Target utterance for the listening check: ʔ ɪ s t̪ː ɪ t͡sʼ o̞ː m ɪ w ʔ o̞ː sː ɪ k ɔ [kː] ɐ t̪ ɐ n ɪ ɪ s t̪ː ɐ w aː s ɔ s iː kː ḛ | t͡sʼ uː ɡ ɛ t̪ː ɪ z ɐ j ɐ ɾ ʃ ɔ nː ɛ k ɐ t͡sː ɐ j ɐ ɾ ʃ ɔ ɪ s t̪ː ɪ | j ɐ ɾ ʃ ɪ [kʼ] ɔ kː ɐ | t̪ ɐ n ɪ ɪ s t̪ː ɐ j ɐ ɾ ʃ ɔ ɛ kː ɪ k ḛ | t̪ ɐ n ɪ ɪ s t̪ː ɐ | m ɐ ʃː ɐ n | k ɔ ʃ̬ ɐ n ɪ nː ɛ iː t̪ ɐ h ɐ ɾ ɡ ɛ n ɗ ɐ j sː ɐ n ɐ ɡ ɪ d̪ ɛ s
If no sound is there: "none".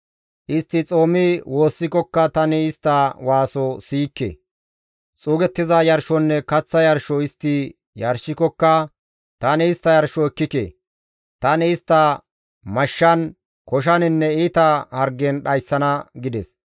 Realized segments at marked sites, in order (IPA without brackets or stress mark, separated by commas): kː, k